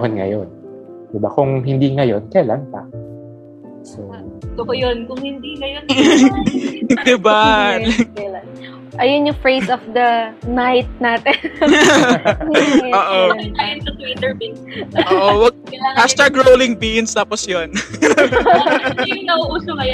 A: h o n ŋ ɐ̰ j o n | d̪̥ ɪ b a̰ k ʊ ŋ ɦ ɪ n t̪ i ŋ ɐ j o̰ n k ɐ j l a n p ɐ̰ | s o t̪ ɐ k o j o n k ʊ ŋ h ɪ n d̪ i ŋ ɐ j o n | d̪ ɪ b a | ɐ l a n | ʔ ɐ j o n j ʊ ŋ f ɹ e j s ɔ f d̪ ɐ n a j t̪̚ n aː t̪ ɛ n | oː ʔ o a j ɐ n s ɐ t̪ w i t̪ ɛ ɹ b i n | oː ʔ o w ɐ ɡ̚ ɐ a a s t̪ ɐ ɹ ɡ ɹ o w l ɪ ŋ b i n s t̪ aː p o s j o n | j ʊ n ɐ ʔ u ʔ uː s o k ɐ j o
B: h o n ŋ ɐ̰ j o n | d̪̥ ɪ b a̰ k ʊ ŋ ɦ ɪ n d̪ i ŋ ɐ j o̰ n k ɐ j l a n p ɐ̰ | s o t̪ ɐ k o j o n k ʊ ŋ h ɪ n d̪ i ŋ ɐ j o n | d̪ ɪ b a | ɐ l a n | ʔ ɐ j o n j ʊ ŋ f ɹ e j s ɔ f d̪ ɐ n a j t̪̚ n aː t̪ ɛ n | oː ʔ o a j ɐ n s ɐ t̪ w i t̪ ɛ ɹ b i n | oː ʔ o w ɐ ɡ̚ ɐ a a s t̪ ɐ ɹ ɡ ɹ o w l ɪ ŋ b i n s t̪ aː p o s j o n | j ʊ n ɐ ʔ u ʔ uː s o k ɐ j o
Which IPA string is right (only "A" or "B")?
B